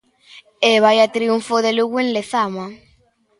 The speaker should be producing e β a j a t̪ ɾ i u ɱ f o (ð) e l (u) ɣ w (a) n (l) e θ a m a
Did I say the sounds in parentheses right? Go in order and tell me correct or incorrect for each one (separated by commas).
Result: correct, correct, incorrect, correct